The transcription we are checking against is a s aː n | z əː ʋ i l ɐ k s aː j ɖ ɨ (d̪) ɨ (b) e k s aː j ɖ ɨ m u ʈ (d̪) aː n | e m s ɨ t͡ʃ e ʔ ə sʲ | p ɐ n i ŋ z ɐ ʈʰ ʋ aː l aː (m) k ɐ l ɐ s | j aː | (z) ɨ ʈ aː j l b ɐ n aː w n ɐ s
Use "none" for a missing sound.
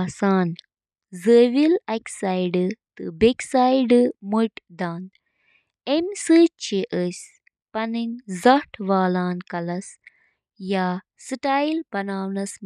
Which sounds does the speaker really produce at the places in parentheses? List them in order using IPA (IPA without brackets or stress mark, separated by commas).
t̪, b, d̪, n, s